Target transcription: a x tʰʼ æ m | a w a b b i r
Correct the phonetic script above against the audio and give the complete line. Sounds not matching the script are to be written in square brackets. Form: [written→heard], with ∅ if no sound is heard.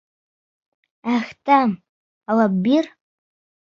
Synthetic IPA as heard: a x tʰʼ [æ→a] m | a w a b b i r